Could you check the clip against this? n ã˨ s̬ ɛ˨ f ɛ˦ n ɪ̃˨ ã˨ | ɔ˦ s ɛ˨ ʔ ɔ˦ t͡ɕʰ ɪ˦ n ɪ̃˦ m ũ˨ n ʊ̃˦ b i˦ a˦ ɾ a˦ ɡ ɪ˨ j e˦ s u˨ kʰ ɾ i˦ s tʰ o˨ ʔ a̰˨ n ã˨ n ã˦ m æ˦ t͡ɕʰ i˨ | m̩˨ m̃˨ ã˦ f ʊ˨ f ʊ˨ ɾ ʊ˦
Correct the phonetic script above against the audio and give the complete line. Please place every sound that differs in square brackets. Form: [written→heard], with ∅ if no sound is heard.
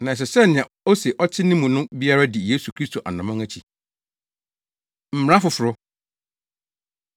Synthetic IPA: n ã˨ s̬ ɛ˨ [f→s] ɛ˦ n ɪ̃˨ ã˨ | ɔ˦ s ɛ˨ ʔ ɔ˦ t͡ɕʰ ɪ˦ n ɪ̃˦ m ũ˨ n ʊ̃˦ b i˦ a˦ ɾ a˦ [ɡ→d] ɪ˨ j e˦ s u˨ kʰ ɾ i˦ s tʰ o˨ ʔ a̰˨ n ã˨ [n→m] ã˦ [m→ŋ] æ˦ t͡ɕʰ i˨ | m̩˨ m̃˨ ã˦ f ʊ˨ f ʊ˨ ɾ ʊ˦